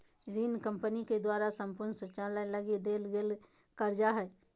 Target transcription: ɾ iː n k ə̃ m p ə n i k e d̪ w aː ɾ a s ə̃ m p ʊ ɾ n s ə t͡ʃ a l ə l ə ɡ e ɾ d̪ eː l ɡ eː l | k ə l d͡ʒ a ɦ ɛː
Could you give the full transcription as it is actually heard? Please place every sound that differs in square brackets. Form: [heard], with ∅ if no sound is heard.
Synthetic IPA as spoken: ɾ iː n k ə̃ m p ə n i k e d̪ w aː ɾ a s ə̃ m p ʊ ɾ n s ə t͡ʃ a l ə l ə ɡ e [∅] d̪ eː l ɡ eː l | k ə [ɾ] d͡ʒ a ɦ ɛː